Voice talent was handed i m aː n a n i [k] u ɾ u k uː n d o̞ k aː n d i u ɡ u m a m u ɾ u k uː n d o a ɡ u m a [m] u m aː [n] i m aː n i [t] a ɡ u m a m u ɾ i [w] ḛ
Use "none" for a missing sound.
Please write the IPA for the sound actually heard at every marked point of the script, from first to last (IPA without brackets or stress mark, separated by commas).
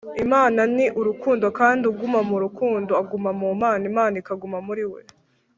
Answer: ʔ, m, n, k, w